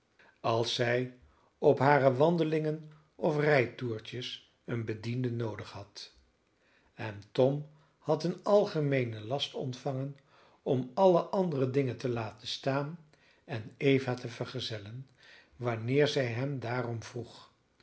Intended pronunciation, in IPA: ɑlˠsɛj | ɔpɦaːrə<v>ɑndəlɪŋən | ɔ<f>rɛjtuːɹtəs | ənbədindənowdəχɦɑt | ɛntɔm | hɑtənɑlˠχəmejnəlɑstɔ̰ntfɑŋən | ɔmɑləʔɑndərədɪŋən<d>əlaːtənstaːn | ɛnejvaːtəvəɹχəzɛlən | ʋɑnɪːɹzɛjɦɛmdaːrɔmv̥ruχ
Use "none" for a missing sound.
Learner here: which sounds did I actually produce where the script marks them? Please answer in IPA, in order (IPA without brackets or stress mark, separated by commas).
ʋ, f, t